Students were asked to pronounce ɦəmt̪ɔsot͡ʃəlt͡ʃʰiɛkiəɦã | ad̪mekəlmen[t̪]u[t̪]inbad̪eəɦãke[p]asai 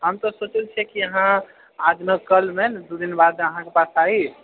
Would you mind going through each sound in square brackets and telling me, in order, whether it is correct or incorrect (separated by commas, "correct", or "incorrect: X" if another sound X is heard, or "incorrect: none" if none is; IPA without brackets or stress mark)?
incorrect: d̪, incorrect: d̪, correct